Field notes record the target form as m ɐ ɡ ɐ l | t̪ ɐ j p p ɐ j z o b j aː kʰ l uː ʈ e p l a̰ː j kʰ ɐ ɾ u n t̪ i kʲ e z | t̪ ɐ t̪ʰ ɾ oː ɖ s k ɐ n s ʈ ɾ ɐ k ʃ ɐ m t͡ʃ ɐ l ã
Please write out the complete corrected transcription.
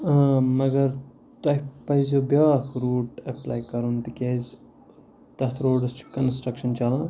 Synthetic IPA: m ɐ ɡ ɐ ɾ | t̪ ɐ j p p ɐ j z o b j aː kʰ ɾ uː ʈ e p l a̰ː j k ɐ ɾ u n t̪ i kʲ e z | t̪ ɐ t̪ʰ ɾ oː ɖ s k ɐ n s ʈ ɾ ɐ k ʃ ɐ n t͡ʃ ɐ l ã